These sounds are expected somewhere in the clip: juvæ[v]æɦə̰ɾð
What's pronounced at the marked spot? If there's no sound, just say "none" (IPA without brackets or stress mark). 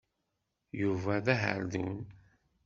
ð